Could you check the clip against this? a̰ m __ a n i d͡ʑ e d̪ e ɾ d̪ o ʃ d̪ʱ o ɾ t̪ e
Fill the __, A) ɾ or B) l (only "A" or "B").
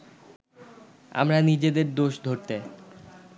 A